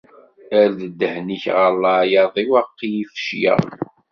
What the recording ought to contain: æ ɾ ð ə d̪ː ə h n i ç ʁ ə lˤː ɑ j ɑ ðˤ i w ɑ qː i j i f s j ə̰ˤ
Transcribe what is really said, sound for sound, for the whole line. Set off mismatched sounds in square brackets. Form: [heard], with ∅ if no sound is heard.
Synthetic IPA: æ ɾ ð ə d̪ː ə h n i ç ʁ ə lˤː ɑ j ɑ ðˤ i w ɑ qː i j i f [ʃ] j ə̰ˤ